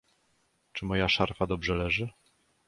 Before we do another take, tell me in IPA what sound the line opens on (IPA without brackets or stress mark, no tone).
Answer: t͡ʂ